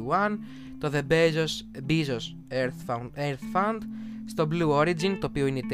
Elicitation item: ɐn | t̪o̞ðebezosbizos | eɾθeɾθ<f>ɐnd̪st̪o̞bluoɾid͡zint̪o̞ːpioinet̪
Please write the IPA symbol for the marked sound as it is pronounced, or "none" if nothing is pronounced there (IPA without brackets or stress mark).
f